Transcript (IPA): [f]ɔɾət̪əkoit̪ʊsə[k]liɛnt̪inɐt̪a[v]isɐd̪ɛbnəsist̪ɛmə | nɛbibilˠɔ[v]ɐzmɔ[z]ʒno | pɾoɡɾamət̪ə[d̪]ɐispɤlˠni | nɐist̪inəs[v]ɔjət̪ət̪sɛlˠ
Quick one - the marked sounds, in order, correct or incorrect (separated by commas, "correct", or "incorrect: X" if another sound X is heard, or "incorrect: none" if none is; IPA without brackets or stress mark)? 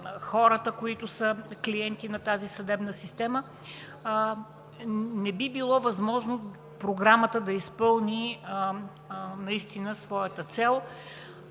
incorrect: x, correct, incorrect: z, correct, incorrect: none, correct, correct